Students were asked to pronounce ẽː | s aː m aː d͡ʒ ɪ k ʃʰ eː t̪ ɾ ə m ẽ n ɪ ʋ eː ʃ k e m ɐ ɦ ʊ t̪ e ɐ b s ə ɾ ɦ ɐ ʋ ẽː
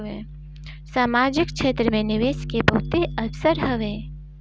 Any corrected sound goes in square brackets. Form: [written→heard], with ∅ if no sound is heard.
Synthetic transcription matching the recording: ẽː | s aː m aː d͡ʒ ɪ k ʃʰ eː t̪ ɾ ə m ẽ n ɪ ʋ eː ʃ k e [m→b] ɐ ɦ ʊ t̪ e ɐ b s ə ɾ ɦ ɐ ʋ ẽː